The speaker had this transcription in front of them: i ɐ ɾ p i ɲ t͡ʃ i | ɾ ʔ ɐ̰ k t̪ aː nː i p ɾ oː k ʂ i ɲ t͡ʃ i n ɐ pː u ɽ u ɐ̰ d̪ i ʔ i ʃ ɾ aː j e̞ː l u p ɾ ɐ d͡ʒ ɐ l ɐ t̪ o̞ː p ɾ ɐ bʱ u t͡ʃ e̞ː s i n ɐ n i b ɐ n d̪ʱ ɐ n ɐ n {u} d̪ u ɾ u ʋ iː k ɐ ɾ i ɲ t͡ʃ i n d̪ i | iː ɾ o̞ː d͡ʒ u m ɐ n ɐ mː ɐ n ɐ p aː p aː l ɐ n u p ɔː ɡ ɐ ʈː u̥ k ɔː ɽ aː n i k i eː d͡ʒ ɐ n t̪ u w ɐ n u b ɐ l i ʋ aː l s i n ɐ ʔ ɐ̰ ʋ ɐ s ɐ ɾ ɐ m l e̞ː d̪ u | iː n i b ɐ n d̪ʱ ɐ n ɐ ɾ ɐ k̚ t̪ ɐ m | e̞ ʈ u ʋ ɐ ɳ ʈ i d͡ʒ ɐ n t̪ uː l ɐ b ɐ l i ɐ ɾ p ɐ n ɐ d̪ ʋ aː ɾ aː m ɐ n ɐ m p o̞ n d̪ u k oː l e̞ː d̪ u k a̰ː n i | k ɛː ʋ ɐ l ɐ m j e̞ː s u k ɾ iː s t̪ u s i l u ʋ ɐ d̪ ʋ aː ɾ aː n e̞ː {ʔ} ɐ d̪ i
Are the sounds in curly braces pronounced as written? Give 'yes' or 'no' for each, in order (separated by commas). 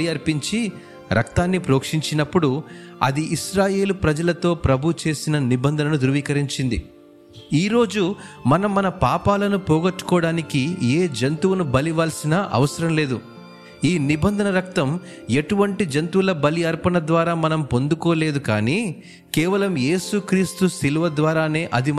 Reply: yes, yes